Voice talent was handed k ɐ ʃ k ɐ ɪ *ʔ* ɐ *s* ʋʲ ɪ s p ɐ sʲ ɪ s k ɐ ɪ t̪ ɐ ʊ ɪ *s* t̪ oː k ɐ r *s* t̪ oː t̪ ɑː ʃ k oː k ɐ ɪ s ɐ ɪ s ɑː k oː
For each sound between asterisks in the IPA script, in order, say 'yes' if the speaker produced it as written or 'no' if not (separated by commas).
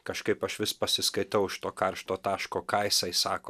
no, no, no, no